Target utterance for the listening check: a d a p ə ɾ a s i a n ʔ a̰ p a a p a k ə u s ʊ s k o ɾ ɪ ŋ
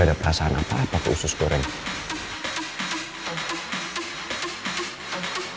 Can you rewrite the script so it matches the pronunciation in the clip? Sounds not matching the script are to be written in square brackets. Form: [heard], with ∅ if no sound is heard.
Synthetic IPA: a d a p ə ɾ a s [a] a n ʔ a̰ p a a p a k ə u s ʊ s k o ɾ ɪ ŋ